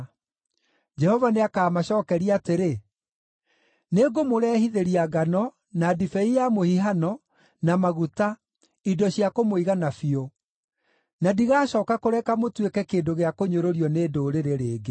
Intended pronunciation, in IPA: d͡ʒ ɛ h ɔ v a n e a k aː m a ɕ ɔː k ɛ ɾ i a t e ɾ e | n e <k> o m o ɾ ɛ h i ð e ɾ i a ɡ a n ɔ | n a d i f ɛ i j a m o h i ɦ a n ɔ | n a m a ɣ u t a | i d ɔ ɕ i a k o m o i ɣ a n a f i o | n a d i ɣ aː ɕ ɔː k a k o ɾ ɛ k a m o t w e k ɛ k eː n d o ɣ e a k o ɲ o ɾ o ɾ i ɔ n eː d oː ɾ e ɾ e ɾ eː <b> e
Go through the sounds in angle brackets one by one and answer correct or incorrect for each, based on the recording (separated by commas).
incorrect, incorrect